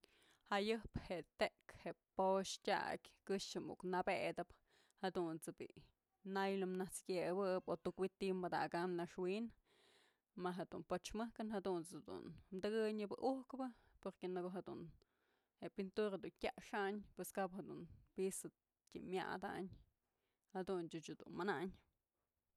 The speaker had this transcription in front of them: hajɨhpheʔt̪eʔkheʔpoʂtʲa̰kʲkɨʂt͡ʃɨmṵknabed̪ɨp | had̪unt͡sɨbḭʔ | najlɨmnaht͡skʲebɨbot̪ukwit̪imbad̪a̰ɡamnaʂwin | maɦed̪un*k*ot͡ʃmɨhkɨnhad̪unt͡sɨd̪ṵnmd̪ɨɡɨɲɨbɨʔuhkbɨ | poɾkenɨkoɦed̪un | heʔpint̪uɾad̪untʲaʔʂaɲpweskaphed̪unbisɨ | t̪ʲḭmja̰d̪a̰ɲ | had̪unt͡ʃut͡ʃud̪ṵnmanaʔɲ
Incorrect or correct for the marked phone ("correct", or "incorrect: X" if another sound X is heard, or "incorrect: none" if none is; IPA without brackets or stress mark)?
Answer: incorrect: p